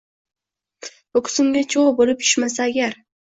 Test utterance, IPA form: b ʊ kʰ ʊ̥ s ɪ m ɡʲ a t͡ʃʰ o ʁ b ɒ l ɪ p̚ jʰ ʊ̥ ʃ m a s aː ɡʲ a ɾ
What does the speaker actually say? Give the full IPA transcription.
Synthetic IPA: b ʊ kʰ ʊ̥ s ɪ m ɡʲ a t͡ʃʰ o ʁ b o l ɪ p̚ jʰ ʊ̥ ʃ m a s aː ɡʲ a ɾ